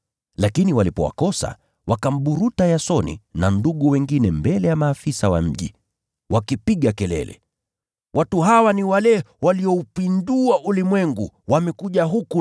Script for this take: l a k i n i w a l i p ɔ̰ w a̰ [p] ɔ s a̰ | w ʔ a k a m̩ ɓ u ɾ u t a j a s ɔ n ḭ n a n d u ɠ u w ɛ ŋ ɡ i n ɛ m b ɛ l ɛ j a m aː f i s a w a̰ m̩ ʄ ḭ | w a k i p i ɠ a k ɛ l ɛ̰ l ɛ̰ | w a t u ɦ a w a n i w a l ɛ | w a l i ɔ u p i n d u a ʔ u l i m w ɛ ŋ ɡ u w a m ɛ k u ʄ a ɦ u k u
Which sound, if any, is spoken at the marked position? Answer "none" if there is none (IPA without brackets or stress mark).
k